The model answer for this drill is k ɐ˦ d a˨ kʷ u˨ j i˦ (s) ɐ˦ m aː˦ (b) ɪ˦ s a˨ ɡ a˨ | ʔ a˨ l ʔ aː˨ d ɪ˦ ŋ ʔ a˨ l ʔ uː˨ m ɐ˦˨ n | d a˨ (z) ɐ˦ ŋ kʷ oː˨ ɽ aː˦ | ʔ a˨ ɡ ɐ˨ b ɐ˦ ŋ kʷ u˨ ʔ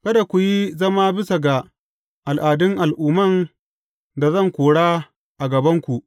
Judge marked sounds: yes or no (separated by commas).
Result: no, yes, yes